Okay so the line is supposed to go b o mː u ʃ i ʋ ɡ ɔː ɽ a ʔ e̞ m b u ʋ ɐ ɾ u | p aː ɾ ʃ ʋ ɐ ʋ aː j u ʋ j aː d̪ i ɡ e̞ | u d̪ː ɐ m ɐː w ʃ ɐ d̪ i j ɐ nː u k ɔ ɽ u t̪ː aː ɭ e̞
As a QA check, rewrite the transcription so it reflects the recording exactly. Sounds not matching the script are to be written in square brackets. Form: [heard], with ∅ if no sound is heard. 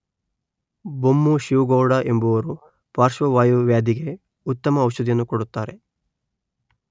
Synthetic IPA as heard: b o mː u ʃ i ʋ ɡ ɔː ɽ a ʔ e̞ m b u ʋ ɐ ɾ u | p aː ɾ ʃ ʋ ɐ ʋ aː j u ʋ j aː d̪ i ɡ e̞ | u [t̪ː] ɐ m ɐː w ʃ ɐ d̪ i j ɐ nː u k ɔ ɽ u t̪ː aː [ɾ] e̞

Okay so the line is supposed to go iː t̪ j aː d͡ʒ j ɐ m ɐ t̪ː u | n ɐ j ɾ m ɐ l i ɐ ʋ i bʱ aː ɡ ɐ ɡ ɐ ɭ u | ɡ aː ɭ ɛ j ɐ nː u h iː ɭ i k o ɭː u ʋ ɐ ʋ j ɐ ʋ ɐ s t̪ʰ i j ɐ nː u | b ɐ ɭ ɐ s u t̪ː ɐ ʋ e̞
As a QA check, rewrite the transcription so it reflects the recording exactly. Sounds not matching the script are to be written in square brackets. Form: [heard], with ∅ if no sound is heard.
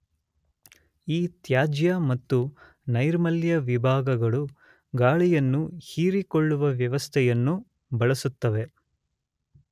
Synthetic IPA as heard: iː t̪ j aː d͡ʒ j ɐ m ɐ t̪ː u | n ɐ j ɾ m ɐ l [j] ɐ ʋ i bʱ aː ɡ ɐ ɡ ɐ ɭ u | ɡ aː ɭ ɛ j ɐ nː u h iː [ɾ] i k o ɭː u ʋ ɐ ʋ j ɐ ʋ ɐ s t̪ʰ [ɛ] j ɐ nː u | b ɐ ɭ ɐ s u t̪ː ɐ ʋ e̞

